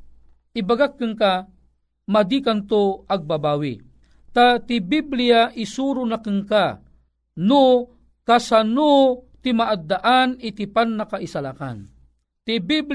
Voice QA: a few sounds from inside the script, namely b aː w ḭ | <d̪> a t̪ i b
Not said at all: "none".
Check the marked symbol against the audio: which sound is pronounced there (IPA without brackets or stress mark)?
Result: t̪